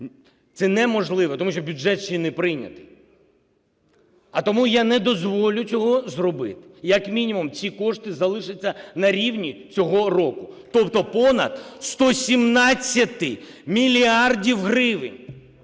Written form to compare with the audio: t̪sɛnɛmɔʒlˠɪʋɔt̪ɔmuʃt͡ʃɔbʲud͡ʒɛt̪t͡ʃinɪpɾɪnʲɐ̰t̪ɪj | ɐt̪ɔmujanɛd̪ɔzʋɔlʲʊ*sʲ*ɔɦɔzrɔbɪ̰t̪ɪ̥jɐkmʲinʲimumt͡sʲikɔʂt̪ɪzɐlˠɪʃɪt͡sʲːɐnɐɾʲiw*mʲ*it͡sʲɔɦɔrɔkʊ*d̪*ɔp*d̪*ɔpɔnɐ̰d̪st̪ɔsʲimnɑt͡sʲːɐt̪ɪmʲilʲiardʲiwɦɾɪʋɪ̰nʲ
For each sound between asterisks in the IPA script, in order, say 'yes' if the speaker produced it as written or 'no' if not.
no, no, no, no

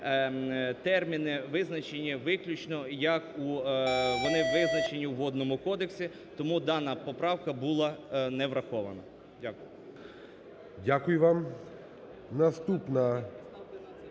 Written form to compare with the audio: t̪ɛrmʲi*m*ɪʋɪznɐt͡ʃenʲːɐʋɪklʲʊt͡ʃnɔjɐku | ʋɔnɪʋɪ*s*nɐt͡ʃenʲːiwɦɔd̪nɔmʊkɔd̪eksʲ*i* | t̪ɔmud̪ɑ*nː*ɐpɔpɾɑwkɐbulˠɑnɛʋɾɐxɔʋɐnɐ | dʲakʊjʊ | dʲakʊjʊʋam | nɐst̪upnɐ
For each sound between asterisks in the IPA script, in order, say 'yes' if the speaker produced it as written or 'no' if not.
no, no, yes, no

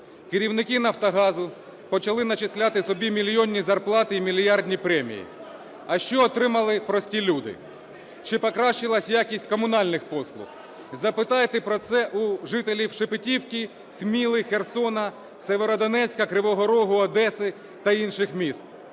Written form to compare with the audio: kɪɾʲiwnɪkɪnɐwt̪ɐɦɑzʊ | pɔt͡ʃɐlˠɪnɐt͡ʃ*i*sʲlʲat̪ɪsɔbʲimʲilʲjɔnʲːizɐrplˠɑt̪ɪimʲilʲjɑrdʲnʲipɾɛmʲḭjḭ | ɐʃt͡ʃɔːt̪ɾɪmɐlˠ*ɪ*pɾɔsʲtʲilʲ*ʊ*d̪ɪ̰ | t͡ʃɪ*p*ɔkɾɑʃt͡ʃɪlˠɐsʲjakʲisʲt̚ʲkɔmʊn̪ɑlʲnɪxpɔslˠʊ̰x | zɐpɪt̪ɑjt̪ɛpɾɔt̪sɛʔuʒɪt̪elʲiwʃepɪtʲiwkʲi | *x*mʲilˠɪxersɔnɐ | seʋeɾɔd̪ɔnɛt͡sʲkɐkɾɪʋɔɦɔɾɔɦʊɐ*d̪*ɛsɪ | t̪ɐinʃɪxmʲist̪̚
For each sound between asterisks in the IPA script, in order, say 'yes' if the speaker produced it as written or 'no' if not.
no, yes, no, yes, no, yes

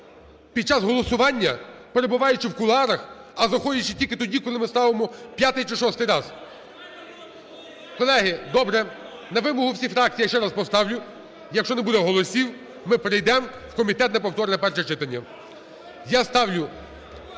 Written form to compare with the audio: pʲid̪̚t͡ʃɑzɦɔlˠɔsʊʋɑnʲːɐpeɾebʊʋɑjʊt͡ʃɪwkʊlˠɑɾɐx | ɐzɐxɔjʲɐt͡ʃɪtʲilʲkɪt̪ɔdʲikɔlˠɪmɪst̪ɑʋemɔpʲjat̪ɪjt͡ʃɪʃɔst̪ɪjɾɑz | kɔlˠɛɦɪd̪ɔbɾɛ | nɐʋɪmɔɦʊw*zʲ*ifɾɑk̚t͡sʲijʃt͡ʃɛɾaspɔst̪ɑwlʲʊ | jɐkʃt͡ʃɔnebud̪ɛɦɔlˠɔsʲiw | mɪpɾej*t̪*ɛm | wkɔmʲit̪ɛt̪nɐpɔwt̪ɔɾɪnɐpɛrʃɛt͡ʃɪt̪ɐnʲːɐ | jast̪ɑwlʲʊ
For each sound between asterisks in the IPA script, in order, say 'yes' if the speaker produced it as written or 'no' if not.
no, no

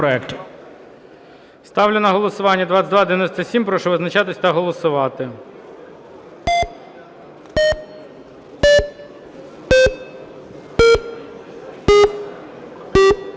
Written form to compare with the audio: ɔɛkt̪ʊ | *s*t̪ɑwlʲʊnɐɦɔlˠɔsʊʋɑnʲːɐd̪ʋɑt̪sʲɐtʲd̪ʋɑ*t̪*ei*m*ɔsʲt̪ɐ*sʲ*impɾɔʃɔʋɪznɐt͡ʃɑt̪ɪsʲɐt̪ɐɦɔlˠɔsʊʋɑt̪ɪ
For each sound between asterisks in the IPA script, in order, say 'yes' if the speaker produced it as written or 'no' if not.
yes, no, no, yes

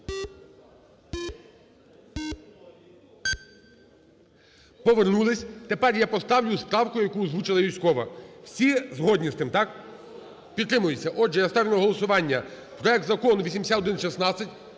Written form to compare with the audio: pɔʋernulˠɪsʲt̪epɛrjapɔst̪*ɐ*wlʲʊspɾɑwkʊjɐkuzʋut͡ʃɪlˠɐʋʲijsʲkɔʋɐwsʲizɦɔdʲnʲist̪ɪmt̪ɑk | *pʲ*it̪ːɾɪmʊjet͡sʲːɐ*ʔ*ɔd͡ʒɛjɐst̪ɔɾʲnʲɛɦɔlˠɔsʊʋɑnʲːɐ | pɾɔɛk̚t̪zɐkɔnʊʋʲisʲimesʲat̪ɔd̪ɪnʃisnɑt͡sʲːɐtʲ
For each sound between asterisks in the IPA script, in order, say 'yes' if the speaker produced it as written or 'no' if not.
no, yes, yes

